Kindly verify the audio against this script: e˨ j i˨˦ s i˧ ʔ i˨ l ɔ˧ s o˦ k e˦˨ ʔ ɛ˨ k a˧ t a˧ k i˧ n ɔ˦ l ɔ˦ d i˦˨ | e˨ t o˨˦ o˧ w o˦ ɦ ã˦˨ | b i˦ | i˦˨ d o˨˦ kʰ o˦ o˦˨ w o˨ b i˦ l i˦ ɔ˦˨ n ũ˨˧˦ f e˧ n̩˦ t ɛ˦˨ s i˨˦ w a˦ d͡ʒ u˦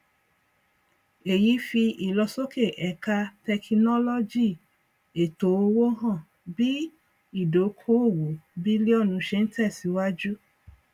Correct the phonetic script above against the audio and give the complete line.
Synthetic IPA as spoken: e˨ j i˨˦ f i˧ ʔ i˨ l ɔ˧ s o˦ k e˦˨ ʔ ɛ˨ k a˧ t ɛ˧ k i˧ n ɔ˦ l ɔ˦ d͡ʒ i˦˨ | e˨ t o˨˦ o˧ w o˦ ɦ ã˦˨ | b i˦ | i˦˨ d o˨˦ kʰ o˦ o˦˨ w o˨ b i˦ l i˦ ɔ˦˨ n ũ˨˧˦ ʃ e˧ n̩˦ t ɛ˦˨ s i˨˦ w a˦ d͡ʒ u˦